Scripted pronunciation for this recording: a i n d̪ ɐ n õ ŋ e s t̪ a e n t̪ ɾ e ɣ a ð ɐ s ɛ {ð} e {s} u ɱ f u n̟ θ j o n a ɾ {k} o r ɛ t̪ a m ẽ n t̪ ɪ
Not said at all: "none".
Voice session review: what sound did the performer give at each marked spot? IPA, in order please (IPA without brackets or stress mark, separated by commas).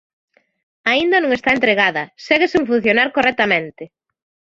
ɣ, s, k